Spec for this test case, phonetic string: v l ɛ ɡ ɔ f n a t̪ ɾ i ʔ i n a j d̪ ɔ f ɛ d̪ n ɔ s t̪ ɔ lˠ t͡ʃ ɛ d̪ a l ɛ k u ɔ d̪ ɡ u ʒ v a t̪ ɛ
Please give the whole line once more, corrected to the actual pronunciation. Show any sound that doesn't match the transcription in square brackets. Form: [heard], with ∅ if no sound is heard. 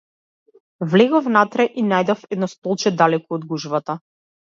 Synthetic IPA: v l ɛ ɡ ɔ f n a t̪ ɾ [ɛ] ʔ i n a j d̪ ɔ f ɛ d̪ n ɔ s t̪ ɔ lˠ t͡ʃ ɛ d̪ a l ɛ k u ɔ d̪ ɡ u ʒ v a t̪ [a]